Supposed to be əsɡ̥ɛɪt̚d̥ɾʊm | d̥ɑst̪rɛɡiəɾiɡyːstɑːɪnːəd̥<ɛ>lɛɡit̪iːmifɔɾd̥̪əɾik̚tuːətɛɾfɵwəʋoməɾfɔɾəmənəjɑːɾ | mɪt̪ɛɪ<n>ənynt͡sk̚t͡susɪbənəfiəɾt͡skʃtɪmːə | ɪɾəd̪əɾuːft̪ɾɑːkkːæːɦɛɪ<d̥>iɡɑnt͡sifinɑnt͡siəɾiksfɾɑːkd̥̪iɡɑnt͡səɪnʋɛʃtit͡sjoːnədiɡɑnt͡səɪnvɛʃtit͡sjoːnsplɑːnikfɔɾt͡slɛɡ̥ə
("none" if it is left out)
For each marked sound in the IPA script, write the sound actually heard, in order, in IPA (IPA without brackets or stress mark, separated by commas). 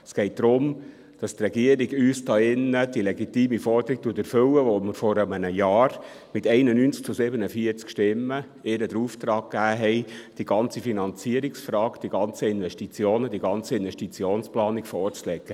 i, n, d̥